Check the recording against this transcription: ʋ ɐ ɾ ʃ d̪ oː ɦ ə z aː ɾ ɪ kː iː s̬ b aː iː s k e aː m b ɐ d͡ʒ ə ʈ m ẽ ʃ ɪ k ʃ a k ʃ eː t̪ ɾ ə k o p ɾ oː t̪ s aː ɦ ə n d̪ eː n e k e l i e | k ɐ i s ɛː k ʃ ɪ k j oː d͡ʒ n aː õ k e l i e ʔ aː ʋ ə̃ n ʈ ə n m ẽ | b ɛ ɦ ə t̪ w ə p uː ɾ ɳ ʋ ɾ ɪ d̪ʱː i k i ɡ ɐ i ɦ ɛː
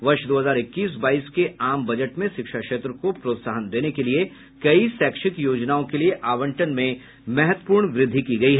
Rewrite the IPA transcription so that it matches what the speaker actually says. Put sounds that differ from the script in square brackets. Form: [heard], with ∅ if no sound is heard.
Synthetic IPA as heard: ʋ ɐ ɾ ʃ d̪ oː ɦ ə z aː ɾ ɪ kː iː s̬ b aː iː s k e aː m b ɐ d͡ʒ ə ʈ m ẽ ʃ ɪ k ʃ a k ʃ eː t̪ ɾ ə k o p ɾ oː t̪ s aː ɦ ə n d̪ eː n e k e l i e | k ɐ i s ɛː k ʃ ɪ k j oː d͡ʒ n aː õ k e l i e ʔ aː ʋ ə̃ [ɳ] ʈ ə n m ẽ | [m] ɛ ɦ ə t̪ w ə p uː ɾ ɳ ʋ ɾ ɪ d̪ʱː i k i ɡ ɐ i ɦ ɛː